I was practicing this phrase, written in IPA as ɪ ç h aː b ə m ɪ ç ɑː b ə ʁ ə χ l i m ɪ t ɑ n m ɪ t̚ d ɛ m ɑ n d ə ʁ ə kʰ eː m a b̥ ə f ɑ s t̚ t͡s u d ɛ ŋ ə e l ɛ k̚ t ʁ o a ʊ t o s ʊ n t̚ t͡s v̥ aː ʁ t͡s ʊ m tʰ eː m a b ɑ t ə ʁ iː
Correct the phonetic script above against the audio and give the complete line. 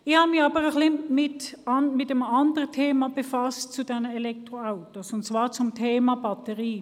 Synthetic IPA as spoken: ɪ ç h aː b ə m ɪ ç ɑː b ə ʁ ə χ l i m ɪ t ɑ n m ɪ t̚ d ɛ m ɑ n d ə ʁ ə tʰ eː m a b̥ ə f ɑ s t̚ t͡s u d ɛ n ə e l ɛ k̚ t ʁ o a ʊ t o s ʊ n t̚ t͡s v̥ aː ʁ t͡s ʊ m tʰ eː m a b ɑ t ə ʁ iː